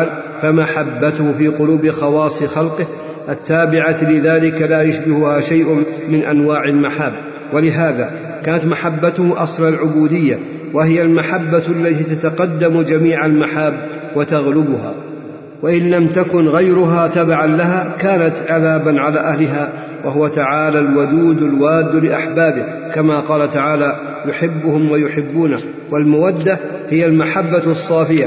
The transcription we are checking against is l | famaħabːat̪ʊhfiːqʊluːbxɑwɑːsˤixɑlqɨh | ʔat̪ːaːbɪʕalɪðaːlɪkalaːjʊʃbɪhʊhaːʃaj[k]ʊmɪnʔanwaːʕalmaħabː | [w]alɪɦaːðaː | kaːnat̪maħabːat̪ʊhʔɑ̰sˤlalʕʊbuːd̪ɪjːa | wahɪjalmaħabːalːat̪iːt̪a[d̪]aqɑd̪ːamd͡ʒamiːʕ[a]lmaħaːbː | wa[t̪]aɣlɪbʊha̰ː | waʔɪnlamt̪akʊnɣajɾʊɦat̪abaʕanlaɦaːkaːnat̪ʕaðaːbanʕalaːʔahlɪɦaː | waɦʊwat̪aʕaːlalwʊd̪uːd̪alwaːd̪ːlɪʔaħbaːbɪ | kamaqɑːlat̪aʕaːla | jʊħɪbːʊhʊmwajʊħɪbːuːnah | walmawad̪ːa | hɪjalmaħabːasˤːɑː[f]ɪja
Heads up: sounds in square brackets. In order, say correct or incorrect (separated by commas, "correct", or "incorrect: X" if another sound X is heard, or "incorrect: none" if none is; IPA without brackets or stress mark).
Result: incorrect: ʔ, correct, incorrect: t̪, correct, correct, correct